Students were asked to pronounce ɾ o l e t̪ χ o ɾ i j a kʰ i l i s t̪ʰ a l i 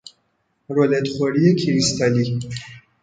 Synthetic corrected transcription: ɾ o l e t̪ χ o ɾ i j e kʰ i ɾ i s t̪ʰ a l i